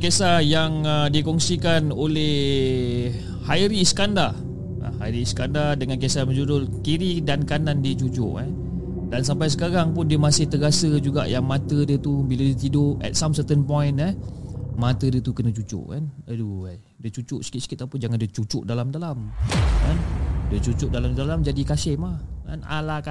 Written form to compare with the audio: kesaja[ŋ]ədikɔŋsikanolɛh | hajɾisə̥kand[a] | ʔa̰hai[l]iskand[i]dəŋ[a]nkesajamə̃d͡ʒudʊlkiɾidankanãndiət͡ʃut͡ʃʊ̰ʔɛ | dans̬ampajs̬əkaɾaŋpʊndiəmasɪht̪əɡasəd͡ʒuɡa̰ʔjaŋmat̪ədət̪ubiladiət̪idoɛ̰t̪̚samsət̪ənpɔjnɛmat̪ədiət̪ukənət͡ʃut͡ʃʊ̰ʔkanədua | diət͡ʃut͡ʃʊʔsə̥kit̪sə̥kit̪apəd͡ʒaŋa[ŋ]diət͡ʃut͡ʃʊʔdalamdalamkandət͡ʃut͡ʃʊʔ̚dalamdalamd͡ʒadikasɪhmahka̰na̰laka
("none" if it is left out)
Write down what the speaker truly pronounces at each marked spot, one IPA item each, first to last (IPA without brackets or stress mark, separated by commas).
ŋ, a, ɾ, a, a, n